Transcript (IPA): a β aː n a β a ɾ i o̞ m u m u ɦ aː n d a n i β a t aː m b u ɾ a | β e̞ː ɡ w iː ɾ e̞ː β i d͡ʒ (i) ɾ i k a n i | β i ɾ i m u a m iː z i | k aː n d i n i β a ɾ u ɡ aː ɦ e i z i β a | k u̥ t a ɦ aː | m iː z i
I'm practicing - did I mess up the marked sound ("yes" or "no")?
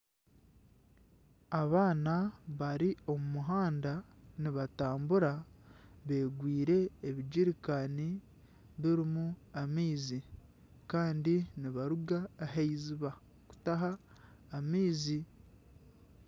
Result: no